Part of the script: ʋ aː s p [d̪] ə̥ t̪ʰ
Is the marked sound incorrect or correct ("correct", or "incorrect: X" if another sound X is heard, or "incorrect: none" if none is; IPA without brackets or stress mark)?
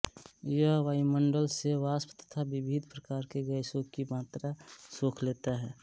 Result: incorrect: t̪